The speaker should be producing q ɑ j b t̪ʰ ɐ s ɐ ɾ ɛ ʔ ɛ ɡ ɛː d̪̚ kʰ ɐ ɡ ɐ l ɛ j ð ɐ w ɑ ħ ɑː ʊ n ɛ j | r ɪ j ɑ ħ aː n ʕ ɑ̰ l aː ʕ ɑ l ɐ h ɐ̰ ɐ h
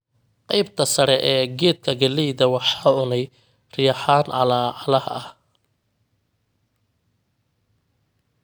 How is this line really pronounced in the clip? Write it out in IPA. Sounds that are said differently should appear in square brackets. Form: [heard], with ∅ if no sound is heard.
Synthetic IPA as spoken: q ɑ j b t̪ʰ ɐ s ɐ ɾ ɛ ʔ [ɛː] ɡ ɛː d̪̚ kʰ ɐ ɡ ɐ l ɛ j ð ɐ w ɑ ħ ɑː ʊ n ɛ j | r ɪ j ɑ ħ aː n ʕ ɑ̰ l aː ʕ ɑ l ɐ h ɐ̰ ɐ h